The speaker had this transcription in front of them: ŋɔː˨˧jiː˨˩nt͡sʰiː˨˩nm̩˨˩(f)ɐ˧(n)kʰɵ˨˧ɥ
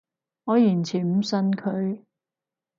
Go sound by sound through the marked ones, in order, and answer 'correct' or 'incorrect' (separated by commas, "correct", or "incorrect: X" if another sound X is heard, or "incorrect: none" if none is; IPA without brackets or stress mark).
incorrect: s, correct